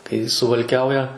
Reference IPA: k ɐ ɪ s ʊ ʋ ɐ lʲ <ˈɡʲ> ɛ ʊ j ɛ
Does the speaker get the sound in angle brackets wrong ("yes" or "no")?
yes